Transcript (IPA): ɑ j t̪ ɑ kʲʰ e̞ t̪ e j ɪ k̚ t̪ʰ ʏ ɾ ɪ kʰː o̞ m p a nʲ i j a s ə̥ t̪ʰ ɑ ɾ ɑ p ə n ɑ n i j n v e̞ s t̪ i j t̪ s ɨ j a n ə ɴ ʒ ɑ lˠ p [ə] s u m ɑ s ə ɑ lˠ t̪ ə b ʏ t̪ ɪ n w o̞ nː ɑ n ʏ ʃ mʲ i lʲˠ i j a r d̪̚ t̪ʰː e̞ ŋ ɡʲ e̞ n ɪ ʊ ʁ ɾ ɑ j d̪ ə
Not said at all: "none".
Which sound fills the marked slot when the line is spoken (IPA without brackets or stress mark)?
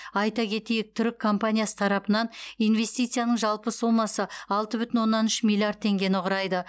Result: ə